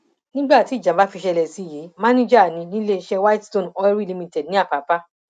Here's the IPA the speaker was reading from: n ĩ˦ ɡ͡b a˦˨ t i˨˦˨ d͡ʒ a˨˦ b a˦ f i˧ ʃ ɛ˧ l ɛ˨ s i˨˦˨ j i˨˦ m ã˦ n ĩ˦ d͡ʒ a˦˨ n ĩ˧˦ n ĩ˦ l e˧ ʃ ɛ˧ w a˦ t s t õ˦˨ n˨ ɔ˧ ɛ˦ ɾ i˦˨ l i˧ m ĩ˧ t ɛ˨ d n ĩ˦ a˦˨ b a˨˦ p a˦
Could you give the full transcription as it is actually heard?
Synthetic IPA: n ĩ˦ ɡ͡b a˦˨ t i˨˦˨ d͡ʒ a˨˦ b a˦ f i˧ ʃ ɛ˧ l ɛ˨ s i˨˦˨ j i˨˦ m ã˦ n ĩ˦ d͡ʒ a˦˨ n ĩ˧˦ n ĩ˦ l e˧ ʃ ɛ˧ w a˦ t s t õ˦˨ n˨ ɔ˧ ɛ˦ ɾ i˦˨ l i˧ m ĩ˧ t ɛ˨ d n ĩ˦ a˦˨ p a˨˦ p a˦